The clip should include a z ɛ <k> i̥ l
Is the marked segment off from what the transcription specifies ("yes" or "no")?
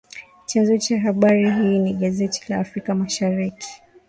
yes